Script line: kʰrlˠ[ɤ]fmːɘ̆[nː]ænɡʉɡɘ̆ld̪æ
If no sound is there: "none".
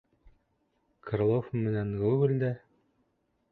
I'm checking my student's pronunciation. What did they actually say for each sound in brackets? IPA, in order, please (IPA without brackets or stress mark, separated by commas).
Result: o, n